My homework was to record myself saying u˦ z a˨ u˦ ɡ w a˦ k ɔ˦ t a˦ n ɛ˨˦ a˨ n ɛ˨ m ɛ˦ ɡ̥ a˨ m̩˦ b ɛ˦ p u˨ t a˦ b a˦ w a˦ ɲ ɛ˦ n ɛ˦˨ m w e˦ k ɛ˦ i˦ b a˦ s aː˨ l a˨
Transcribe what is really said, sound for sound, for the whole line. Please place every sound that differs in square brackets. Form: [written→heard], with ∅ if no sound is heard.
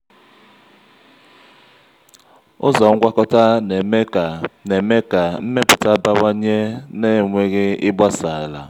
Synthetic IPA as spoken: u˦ z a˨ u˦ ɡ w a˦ k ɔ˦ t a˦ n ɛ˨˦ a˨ n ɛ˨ m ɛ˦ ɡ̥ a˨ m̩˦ [b→m] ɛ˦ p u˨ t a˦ b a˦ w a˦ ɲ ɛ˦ n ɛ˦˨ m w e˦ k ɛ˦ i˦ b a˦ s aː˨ l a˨